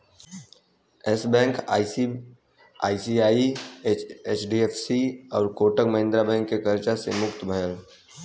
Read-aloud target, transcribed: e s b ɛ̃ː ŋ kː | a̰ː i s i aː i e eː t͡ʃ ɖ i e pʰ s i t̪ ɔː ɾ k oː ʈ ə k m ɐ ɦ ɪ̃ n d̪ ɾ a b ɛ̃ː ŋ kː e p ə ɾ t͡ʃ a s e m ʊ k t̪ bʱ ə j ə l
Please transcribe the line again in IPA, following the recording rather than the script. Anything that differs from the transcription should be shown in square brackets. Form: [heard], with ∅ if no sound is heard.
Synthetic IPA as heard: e s b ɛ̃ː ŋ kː | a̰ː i s i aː i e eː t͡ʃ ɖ i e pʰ s i [∅] ɔː ɾ k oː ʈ ə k m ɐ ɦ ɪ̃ n d̪ ɾ a b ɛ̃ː ŋ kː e [k] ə ɾ t͡ʃ a s e m ʊ k t̪ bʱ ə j ə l

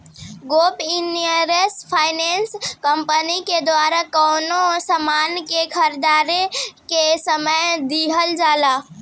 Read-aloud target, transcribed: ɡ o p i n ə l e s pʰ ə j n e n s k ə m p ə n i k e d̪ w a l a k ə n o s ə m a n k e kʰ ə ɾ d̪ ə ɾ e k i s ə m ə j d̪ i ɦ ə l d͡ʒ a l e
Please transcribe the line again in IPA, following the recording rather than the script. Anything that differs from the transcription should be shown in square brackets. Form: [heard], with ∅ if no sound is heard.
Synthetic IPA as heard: ɡ o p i n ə [ɾ] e s pʰ [a] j n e n s k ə m p ə n i k e d̪ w a [ɾ] a k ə n o s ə m a n k e kʰ ə ɾ d̪ [a] ɾ e k [e] s ə m ə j d̪ i ɦ ə l d͡ʒ a l [a]

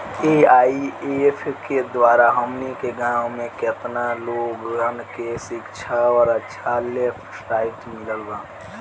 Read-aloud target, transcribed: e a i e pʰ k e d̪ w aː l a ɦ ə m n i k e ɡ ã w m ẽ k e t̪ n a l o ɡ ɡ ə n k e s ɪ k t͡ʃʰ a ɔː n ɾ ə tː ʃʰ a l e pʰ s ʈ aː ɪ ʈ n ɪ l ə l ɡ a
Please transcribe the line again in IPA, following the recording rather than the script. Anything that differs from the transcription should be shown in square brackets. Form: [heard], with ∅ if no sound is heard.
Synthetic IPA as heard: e a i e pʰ k e d̪ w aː [ɾ] a ɦ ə m n i k e ɡ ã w m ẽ k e t̪ n a l o ɡ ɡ ə n k e s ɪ k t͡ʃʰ a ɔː [∅] ɾ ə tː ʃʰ a l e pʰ s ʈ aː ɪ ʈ [m] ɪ l ə l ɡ a

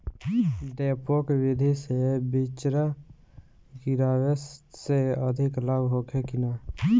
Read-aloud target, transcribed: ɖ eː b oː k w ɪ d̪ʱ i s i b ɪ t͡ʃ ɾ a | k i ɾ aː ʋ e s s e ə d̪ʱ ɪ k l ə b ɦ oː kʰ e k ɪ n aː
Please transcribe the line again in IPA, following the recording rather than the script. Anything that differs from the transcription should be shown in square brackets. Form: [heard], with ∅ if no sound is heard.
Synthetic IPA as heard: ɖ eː [p] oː k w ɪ d̪ʱ i s [e] b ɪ t͡ʃ ɾ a | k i ɾ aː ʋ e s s e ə d̪ʱ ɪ k l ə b ɦ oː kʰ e k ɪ n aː

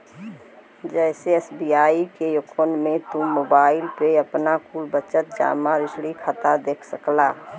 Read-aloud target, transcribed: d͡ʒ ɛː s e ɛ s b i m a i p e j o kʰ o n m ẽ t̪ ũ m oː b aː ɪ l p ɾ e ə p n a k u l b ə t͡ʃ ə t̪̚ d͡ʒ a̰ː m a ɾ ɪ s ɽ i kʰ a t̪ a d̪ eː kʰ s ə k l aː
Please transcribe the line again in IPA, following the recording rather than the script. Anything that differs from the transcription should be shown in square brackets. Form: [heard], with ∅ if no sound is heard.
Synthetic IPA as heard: d͡ʒ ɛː s e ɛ s b i [∅] a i [k] e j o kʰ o n m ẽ t̪ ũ m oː b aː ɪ l p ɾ e ə p n a k u l b ə t͡ʃ ə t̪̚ d͡ʒ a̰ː m a ɾ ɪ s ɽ i kʰ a t̪ a d̪ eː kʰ s ə k l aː

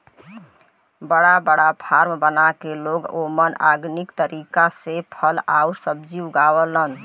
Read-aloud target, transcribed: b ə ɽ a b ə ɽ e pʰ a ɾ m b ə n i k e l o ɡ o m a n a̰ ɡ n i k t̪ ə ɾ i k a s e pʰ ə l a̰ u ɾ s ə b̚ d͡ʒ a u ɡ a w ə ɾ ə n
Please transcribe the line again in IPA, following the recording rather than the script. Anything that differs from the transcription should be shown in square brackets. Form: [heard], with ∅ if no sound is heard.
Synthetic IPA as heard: b ə ɽ a b ə ɽ [a] pʰ a ɾ m b ə n [a] k e l o ɡ o m [ə] n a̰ ɡ n i k t̪ ə ɾ i k a s e pʰ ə l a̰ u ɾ s ə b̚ d͡ʒ [i] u ɡ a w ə [l] ə n

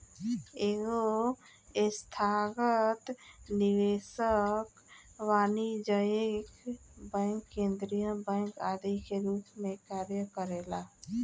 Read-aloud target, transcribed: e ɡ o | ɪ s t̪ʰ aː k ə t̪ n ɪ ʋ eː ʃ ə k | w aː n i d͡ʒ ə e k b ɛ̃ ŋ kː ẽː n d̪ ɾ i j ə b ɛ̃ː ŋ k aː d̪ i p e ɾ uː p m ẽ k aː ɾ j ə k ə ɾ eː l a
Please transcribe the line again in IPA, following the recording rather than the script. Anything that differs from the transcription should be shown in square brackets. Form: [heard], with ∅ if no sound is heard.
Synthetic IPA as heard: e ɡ o | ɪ s t̪ʰ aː [ɡ] ə t̪ n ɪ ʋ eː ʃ ə k | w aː n i d͡ʒ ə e k b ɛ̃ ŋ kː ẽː n d̪ ɾ i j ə b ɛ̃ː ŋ k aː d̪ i [k] e ɾ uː p m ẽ k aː ɾ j ə k ə ɾ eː l a

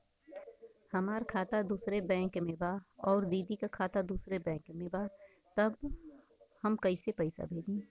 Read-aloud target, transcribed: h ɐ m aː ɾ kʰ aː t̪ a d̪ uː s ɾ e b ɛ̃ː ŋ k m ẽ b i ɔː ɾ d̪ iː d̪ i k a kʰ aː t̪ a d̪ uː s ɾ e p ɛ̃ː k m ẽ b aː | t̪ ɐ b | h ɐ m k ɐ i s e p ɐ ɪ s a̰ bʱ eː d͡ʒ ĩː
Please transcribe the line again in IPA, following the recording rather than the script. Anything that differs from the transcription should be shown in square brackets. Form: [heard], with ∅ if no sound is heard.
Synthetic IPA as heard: h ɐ m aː ɾ kʰ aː t̪ a d̪ uː s ɾ e b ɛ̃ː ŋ k m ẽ b [a] ɔː ɾ d̪ iː d̪ i k a kʰ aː t̪ a d̪ uː s ɾ e [b] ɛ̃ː k m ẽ b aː | t̪ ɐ b | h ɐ m k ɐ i s e p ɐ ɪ s a̰ bʱ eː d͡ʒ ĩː

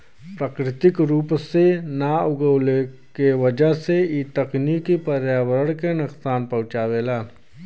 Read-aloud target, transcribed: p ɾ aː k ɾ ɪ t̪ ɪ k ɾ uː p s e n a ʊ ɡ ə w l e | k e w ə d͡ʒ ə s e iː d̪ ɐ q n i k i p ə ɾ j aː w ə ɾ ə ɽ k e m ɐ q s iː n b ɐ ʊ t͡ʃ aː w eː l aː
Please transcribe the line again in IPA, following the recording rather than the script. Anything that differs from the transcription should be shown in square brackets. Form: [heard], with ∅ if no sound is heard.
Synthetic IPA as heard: p ɾ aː k ɾ ɪ t̪ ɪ k ɾ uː p s e n a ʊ ɡ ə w l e | k e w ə d͡ʒ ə s e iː [t̪] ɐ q n i k i p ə ɾ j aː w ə ɾ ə ɽ k e [n] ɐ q s [aː] n [p] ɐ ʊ t͡ʃ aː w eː l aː

